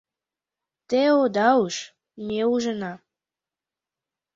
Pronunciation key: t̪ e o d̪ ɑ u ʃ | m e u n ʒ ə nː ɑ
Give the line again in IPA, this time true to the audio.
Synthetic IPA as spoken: t̪ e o d̪ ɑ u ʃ | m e u ʒ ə n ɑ